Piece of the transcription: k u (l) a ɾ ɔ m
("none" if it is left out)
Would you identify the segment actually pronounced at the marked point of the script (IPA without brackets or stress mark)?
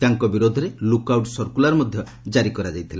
l